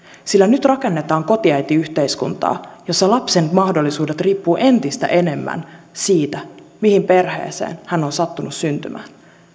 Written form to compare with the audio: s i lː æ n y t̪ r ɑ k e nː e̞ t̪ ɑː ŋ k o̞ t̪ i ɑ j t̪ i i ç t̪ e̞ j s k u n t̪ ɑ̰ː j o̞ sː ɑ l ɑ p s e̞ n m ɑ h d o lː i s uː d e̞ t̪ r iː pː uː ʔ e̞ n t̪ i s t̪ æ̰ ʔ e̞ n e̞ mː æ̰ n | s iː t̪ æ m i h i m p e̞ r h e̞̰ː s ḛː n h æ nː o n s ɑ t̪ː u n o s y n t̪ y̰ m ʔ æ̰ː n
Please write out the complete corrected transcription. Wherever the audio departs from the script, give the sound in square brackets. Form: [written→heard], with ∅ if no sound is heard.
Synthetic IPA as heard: s i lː æ n y t̪ r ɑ k e nː e̞ t̪ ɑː ŋ k o̞ t̪ i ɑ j t̪ i [i→y] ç t̪ e̞ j s k u n t̪ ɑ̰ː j o̞ sː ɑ l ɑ p s e̞ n m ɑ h d o lː i s uː d e̞ t̪ r iː pː uː ʔ e̞ n t̪ i s t̪ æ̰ ʔ e̞ n e̞ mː æ̰ n | s iː t̪ æ m i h i m p e̞ r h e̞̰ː s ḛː n h æ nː o n s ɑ t̪ː u n [o→u] s y n t̪ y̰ m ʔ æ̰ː n